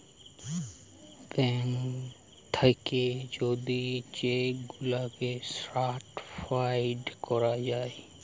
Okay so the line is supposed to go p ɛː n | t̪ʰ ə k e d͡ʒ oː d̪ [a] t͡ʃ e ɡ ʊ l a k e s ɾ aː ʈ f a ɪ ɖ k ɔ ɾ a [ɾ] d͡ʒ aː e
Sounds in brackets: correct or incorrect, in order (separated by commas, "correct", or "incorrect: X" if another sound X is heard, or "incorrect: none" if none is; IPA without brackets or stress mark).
incorrect: i, incorrect: none